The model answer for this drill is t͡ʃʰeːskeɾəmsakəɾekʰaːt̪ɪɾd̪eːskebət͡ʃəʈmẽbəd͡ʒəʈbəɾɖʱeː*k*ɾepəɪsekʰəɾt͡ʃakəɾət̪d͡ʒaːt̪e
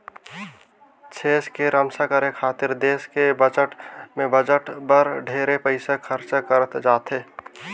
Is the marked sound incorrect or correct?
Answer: incorrect